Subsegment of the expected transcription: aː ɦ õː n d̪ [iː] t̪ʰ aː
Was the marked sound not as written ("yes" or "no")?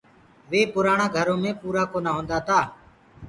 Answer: yes